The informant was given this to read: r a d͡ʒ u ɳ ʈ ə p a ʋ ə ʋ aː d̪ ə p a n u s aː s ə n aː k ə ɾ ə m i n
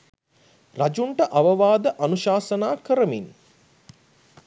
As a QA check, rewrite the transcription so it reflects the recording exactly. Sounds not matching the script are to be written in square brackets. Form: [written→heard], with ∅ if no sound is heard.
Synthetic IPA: r a d͡ʒ u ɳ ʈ ə [p→ʔ] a ʋ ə ʋ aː d̪ ə [p→ʔ] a n u [s→ʃ] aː s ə n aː k ə ɾ ə m i n